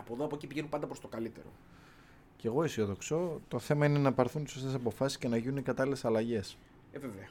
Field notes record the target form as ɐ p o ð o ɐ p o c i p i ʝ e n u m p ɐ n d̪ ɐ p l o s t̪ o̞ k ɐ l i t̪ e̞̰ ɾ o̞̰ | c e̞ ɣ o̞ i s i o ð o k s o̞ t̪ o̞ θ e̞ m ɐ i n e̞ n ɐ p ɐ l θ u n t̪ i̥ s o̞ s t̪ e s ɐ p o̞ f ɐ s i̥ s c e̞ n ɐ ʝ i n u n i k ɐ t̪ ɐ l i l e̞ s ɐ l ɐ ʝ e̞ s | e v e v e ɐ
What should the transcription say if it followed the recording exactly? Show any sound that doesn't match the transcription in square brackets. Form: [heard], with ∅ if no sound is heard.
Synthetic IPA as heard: ɐ p o ð o ɐ p o c i p i ʝ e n u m p ɐ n d̪ ɐ p [ɾ] o s t̪ o̞ k ɐ l i t̪ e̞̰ ɾ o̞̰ | c e̞ ɣ o̞ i s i o ð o k s o̞ t̪ o̞ θ e̞ m ɐ i n e̞ n ɐ p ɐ [ɾ] θ u n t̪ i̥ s o̞ s t̪ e s ɐ p o̞ f ɐ s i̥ s c e̞ n ɐ ʝ i n u n i k ɐ t̪ ɐ l i l e̞ s ɐ l ɐ ʝ e̞ s | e v e v e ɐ